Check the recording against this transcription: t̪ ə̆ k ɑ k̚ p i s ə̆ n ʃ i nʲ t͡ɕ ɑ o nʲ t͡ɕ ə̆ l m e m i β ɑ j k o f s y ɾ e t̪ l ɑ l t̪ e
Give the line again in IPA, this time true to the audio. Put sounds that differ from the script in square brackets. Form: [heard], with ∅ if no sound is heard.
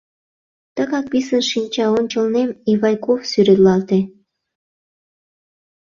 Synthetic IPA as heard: t̪ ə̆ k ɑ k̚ p i s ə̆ n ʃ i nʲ t͡ɕ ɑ o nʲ t͡ɕ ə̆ l [n] e m i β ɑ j k o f s y ɾ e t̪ l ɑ l t̪ e